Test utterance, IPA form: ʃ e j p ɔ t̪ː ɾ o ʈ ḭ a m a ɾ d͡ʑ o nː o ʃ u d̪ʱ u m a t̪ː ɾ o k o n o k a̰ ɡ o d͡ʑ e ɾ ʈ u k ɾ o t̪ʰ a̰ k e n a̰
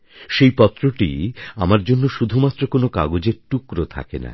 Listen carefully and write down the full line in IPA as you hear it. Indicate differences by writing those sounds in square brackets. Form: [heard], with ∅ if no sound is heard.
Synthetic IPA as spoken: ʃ e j p ɔ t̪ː ɾ o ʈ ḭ a m a ɾ d͡ʑ o nː o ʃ u d̪ʱ u m a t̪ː ɾ o k o n o k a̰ ɡ o d͡ʑ e ɾ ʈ u k ɾ o t̪ʰ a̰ k e n a̰